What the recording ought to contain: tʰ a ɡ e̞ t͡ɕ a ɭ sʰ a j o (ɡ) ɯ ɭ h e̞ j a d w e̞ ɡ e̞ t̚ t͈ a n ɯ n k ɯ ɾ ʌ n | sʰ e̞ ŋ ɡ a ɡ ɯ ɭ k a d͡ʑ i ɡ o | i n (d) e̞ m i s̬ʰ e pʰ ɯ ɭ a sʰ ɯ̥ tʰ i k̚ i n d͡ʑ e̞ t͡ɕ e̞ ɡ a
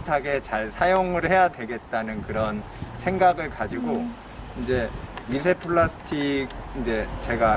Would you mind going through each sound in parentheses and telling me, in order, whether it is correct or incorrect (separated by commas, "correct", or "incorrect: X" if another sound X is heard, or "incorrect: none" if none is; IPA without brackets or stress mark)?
incorrect: ŋ, incorrect: d͡ʑ